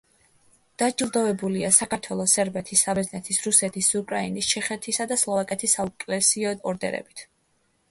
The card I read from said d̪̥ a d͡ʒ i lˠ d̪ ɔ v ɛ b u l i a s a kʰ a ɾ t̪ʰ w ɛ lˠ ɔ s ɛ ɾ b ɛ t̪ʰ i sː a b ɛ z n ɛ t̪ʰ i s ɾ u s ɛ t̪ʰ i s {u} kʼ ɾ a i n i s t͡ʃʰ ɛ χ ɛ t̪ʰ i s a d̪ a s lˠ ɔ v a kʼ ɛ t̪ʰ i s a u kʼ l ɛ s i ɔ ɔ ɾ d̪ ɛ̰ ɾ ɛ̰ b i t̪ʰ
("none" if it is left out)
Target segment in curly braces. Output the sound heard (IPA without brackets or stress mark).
u